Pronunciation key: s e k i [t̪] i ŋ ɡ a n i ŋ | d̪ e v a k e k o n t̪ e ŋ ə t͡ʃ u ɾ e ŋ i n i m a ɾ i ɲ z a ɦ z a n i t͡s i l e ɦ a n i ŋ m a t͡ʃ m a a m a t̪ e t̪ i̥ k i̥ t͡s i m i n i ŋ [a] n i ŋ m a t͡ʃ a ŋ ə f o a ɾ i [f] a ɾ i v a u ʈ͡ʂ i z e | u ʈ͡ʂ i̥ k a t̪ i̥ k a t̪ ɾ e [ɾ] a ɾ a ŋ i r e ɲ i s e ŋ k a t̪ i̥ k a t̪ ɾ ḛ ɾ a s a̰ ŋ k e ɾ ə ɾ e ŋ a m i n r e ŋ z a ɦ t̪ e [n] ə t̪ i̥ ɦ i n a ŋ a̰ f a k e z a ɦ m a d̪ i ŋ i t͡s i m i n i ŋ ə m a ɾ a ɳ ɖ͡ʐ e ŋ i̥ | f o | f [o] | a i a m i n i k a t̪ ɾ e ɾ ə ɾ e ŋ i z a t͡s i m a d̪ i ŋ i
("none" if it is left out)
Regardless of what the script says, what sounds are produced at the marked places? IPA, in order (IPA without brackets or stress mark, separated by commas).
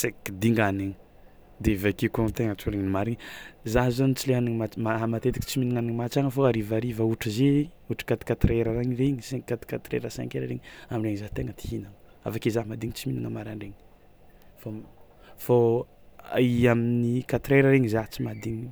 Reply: d̪, a, v, ɾ, ŋ, o